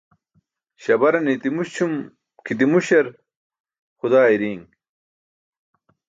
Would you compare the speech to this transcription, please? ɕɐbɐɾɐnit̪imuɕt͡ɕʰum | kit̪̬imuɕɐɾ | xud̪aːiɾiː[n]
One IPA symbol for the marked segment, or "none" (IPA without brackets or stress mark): ŋ